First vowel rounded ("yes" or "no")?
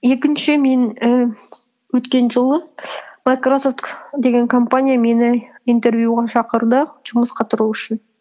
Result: no